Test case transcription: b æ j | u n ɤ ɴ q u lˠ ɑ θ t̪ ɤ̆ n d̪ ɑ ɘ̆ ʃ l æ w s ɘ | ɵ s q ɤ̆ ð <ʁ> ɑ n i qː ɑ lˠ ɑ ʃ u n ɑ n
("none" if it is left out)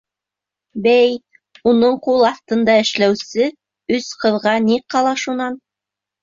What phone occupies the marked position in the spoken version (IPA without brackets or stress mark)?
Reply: ʁ